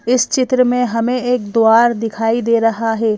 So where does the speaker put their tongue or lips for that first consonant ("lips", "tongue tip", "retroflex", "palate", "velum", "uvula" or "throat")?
tongue tip